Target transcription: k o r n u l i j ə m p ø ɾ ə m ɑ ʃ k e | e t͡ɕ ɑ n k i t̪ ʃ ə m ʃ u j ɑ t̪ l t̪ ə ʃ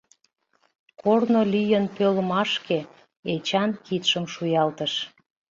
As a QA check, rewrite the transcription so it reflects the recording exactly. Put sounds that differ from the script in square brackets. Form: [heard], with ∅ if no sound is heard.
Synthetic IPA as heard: k o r n [o] l i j ə [n] p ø [l] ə m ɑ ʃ k e | e t͡ɕ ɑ n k i t̪ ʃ ə m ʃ u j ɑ [∅] l t̪ ə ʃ